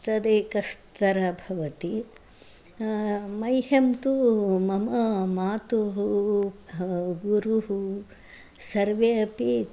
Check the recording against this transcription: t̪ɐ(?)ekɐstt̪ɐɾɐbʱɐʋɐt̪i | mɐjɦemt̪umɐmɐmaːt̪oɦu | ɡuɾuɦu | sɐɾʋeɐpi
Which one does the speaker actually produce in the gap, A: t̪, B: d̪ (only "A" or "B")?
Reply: B